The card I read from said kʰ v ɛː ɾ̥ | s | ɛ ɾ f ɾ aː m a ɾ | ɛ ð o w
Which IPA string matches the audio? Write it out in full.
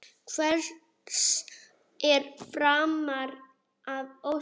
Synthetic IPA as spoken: kʰ v ɛ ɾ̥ | s | ɛ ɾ f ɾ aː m a ɾ | a ð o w